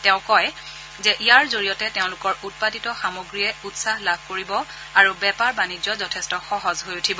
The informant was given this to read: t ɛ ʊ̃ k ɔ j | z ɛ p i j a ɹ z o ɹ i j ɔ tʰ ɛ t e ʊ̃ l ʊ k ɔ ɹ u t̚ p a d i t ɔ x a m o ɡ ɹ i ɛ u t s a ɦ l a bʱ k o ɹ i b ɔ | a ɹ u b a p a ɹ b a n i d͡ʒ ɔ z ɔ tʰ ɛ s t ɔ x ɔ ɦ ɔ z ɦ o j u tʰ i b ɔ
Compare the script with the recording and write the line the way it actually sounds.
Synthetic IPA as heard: t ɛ ʊ̃ k ɔ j | z ɛ ʔ i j a ɹ z o ɹ i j ɔ t ɛ t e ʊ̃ l ʊ k ɔ ɹ u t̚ p a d i t ɔ x a m o ɡ ɹ i ɛ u t s a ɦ l a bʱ k o ɹ i b ɔ | a ɹ u b ɛ p a ɹ b a n i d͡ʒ ɔ z ɔ tʰ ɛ s t ɔ x ɔ ɦ ɔ z ɦ o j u tʰ i b ɔ